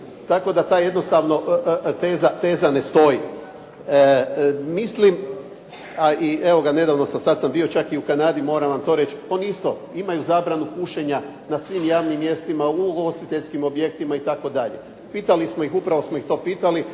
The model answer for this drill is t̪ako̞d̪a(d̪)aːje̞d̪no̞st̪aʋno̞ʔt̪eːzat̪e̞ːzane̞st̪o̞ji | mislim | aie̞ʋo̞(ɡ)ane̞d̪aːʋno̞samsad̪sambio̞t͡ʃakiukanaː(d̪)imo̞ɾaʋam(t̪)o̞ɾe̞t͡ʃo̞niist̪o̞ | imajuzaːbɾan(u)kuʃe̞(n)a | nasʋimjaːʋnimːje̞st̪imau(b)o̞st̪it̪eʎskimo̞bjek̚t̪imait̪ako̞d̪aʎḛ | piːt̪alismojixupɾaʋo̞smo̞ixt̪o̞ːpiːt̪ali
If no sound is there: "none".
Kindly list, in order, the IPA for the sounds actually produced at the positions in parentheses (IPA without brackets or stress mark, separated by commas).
t̪, ɡ, d̪, t̪, u, ɲ, ɡ